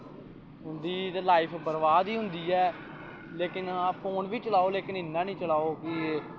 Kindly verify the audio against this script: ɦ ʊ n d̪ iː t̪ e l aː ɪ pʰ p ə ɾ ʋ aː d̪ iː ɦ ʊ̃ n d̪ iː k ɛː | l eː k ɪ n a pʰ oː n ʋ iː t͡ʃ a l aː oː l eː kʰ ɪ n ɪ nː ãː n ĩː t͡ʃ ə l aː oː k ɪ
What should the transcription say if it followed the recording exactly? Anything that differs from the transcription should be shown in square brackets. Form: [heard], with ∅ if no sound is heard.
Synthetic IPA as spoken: ɦ ʊ n d̪ iː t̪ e l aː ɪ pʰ [b] ə ɾ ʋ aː d̪ iː ɦ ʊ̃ n d̪ iː [∅] ɛː | l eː k ɪ n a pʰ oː n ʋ iː t͡ʃ [ə] l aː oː l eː [k] ɪ n ɪ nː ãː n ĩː t͡ʃ ə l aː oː k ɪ